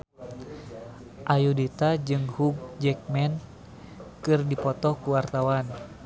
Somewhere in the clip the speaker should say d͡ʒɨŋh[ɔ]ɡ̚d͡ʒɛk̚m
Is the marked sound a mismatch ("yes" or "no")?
yes